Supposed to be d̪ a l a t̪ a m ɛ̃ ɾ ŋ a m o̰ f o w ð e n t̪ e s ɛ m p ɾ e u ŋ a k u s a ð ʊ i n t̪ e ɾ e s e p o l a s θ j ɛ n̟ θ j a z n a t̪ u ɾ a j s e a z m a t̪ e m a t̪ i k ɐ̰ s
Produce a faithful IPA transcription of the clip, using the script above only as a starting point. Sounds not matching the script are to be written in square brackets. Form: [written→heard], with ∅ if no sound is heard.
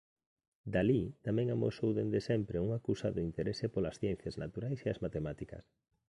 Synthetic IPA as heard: d̪ a l [a→i] t̪ a m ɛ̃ [ɾ→∅] ŋ a m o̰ [f→s] o w ð e n [t̪→d̪] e s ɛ m p ɾ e u ŋ a k u s a ð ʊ i n t̪ e ɾ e s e p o l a s θ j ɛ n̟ θ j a z n a t̪ u ɾ a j s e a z m a t̪ e m a t̪ i k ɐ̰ s